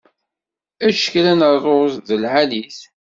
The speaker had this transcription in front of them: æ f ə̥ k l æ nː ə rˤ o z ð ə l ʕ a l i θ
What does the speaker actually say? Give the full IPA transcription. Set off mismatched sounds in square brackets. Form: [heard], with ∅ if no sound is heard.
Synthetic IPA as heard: æ [ʃ] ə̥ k l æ [n] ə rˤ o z ð ə l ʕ a l i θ